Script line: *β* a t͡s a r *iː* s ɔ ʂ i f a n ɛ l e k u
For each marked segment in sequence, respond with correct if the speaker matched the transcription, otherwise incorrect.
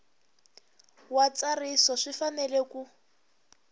incorrect: w, incorrect: i

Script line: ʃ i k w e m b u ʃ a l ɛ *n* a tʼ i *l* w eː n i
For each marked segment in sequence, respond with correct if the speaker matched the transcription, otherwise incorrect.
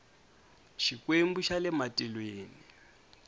incorrect: m, correct

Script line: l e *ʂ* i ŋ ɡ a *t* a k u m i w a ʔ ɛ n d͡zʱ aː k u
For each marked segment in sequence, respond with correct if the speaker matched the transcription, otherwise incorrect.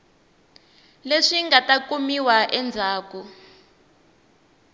correct, correct

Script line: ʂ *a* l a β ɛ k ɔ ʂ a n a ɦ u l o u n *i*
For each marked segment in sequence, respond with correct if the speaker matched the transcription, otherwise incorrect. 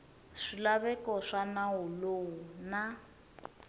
incorrect: i, incorrect: a

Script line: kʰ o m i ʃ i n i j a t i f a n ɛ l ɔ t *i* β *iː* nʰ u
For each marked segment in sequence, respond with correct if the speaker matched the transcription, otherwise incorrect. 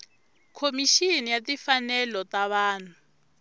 incorrect: a, incorrect: aː

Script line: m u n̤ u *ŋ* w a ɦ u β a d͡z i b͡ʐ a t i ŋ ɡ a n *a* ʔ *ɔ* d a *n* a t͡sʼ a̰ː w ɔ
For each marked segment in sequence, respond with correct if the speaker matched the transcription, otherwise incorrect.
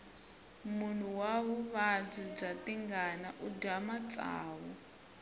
incorrect: none, correct, incorrect: u, incorrect: m

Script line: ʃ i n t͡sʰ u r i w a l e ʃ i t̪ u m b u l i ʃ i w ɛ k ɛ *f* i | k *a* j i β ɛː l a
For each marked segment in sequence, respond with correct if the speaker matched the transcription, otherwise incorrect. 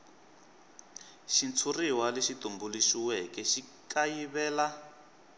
incorrect: ʃ, correct

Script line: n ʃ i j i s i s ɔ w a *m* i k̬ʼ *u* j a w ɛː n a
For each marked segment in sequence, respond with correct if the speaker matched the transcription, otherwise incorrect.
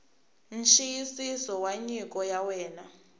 incorrect: ɲ, incorrect: ɔ

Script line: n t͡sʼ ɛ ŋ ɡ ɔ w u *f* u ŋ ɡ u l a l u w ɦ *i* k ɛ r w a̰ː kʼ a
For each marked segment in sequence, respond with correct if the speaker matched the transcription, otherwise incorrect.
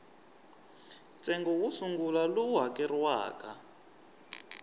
incorrect: s, incorrect: a

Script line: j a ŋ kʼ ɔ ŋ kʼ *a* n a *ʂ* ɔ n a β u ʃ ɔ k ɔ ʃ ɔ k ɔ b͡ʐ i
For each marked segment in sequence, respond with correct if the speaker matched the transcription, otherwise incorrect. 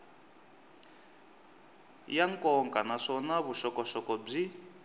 correct, correct

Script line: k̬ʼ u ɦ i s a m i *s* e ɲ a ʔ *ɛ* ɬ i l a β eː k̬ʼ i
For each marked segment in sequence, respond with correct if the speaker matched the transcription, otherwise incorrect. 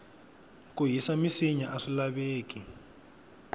correct, incorrect: a

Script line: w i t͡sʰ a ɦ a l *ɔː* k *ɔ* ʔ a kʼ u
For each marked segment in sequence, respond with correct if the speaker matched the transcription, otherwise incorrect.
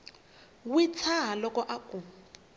incorrect: ɔ, correct

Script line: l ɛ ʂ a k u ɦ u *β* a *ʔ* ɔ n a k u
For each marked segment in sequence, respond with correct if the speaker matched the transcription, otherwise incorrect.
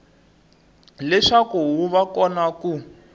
correct, incorrect: k

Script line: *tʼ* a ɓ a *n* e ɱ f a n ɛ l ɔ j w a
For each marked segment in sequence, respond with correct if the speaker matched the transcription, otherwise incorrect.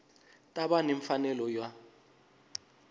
correct, correct

